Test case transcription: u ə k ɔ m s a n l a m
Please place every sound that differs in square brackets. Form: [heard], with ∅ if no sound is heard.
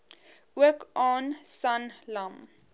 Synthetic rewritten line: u ə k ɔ [n] s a n l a m